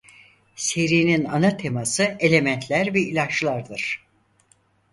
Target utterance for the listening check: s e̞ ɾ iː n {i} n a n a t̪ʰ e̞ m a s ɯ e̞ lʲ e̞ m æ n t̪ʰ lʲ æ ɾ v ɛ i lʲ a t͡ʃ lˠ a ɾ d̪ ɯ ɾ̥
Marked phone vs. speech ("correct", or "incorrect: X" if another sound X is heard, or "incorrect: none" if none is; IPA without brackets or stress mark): correct